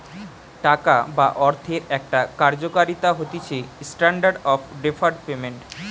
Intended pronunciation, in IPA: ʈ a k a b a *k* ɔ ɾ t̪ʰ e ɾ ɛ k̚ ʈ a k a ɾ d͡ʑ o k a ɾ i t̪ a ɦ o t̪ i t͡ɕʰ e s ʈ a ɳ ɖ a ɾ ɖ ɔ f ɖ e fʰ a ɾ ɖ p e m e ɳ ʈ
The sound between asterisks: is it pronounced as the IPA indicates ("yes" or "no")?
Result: no